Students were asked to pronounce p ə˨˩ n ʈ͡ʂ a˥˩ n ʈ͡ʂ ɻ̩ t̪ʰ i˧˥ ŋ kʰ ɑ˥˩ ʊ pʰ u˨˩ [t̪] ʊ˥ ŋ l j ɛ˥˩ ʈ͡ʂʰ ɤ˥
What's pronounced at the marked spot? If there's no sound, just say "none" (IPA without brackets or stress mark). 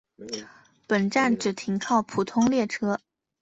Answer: t̪ʰ